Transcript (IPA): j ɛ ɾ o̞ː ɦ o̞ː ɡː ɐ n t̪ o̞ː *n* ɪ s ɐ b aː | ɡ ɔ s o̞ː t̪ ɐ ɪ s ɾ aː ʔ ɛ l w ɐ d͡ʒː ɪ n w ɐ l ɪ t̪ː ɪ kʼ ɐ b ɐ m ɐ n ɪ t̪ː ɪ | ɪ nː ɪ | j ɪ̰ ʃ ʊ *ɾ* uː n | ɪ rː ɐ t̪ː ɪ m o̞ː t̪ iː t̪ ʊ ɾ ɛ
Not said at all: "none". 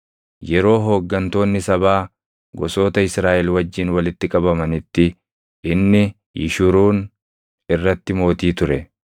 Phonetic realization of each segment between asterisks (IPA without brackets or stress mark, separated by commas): nː, ɾ